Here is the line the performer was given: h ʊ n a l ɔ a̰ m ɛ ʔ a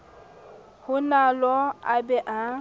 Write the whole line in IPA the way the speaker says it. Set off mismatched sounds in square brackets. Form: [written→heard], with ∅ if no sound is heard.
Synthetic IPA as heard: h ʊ n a l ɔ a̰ [m→b] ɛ ʔ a